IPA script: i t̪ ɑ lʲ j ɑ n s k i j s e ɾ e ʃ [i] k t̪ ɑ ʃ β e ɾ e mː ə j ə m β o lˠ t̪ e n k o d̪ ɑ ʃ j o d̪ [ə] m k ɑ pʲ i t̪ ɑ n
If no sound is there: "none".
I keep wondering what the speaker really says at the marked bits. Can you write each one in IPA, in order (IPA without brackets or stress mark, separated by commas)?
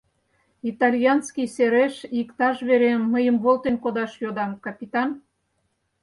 i, ɑ